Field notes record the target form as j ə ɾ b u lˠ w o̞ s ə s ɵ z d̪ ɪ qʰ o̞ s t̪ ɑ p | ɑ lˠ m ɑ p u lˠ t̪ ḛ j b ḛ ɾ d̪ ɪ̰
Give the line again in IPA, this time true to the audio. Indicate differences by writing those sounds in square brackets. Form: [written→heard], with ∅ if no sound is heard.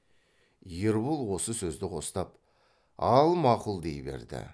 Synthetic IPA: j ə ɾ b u lˠ w o̞ s ə s ɵ z d̪ ɪ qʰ o̞ s t̪ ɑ p | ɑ lˠ m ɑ [p→q] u lˠ [t̪→d̪] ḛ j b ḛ ɾ d̪ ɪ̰